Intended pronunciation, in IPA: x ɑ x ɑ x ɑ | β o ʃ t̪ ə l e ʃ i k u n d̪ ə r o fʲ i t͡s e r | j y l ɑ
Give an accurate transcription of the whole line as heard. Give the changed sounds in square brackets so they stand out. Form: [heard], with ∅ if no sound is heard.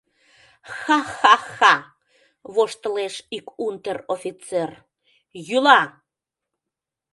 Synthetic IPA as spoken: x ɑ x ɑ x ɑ | β o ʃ t̪ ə l e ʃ i k u n [t̪] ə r o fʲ i t͡s e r | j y l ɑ